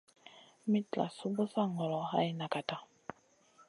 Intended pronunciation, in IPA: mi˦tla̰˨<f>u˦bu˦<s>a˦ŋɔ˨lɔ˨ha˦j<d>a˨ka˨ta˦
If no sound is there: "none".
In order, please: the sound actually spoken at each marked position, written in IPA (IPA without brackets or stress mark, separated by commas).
s, s, n